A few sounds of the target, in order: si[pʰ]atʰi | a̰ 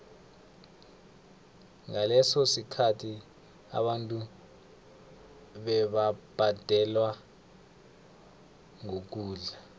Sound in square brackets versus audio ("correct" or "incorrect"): incorrect